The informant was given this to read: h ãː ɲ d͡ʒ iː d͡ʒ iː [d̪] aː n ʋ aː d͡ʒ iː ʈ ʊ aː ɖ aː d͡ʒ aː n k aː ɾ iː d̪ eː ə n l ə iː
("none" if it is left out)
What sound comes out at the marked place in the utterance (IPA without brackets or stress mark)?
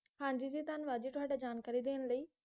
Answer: t̪